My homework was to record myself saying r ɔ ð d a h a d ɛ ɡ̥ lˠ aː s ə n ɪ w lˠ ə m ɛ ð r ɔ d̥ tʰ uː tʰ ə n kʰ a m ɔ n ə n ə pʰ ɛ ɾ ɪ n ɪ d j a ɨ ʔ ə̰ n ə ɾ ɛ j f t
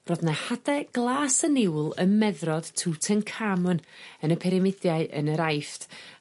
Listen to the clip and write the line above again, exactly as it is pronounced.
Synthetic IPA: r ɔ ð n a h a d ɛ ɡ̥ lˠ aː s ə n ɪ w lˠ ə m ɛ ð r ɔ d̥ tʰ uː tʰ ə n kʰ a m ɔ n ə n ə pʰ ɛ ɾ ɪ m ɪ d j a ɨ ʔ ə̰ n ə ɾ a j f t